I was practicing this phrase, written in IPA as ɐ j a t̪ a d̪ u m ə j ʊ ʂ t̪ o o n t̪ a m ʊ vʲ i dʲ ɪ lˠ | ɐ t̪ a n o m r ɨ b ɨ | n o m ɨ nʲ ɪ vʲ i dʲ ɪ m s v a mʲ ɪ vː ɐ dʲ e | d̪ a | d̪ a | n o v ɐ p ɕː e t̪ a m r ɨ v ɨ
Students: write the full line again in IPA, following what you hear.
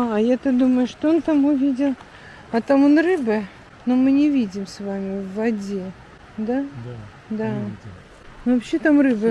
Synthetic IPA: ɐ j a t̪ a d̪ u m ə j ʊ ʂ t̪ o o n t̪ a m ʊ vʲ i dʲ ɪ lˠ | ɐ t̪ a m o n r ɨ b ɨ | n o m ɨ nʲ ɪ vʲ i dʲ ɪ m s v a mʲ ɪ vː ɐ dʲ e | d̪ a | d̪ a | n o v ɐ p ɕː e t̪ a m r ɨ b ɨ